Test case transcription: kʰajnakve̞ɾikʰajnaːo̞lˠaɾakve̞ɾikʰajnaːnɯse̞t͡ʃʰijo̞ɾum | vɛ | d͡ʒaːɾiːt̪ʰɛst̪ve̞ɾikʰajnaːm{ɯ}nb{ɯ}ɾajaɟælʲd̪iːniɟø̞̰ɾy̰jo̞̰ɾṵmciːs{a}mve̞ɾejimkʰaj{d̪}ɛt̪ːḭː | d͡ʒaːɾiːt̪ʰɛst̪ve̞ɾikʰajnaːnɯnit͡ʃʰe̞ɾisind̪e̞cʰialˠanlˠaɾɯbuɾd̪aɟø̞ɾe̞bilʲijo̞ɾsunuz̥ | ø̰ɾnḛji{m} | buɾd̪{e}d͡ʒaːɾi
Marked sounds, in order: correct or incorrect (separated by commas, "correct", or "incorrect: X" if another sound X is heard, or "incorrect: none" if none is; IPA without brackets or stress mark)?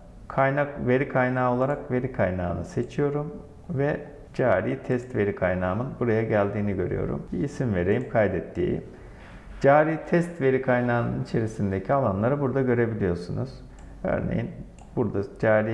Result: correct, incorrect: u, incorrect: i, correct, incorrect: n, incorrect: a